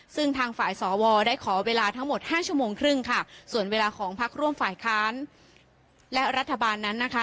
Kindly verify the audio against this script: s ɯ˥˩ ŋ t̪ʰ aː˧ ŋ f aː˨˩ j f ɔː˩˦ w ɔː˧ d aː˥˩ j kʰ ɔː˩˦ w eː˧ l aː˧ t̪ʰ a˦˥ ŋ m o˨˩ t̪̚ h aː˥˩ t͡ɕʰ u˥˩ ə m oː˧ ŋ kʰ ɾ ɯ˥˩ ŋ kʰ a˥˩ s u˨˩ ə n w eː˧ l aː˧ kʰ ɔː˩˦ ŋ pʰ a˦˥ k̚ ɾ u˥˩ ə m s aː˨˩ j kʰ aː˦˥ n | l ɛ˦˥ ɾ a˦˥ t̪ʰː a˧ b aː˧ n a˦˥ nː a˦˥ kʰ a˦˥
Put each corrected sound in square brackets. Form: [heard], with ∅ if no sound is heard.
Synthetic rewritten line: s ɯ˥˩ ŋ t̪ʰ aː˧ ŋ f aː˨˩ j [s] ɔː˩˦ w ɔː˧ d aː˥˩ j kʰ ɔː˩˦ w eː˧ l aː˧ t̪ʰ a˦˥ ŋ m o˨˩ t̪̚ h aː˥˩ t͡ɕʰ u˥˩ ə m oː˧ ŋ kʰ ɾ ɯ˥˩ ŋ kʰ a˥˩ s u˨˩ ə n w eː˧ l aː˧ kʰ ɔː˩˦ ŋ pʰ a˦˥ k̚ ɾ u˥˩ ə m [f] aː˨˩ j kʰ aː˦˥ n | l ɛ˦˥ ɾ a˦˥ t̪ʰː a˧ b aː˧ [nː] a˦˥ nː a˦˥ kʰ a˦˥

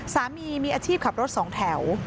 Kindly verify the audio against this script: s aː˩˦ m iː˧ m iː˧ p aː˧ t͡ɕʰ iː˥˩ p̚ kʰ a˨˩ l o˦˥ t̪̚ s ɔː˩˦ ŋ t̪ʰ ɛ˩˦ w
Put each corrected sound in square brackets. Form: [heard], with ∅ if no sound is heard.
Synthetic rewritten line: s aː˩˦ m iː˧ m iː˧ [ʔ] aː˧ t͡ɕʰ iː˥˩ p̚ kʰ a˨˩ [ɾ] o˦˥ t̪̚ s ɔː˩˦ ŋ t̪ʰ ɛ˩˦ w

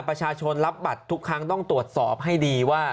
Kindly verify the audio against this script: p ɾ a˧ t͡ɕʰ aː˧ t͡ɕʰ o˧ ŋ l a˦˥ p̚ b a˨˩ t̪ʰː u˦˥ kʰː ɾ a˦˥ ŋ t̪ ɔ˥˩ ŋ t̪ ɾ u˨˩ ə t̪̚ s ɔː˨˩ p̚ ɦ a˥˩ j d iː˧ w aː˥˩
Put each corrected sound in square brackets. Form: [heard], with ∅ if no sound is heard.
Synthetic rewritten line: p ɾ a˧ t͡ɕʰ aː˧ t͡ɕʰ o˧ [n] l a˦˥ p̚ b a˨˩ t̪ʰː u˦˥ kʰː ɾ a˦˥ ŋ t̪ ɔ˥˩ ŋ t̪ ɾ u˨˩ ə t̪̚ s ɔː˨˩ p̚ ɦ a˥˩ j d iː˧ w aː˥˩

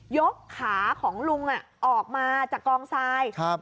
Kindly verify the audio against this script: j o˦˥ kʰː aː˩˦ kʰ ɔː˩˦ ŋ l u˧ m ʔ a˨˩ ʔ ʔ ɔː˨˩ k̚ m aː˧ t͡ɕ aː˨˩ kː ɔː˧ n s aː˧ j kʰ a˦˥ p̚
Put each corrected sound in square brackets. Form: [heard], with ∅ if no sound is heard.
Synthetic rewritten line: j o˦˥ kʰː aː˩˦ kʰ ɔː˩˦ ŋ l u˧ [ŋ] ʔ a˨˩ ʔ ʔ ɔː˨˩ k̚ m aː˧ t͡ɕ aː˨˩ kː ɔː˧ [ŋ] s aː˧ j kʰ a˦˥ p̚

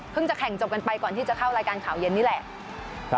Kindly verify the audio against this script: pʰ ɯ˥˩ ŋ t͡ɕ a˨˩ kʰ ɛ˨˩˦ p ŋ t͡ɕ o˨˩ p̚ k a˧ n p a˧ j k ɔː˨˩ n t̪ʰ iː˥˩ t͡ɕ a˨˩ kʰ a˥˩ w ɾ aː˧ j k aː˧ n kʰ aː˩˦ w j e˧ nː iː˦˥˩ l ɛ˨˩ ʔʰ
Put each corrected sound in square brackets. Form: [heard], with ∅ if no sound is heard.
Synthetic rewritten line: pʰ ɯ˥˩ ŋ t͡ɕ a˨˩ kʰ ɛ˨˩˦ [∅] ŋ t͡ɕ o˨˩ p̚ k a˧ n p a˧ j k ɔː˨˩ n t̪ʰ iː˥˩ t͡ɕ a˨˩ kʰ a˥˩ w ɾ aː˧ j k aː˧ n kʰ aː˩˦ w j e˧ nː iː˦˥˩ l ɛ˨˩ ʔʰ

